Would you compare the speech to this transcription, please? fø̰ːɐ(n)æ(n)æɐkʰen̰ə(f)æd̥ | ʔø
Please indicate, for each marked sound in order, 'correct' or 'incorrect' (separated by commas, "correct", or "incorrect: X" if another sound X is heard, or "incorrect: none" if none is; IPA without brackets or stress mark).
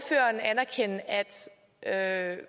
correct, correct, incorrect: none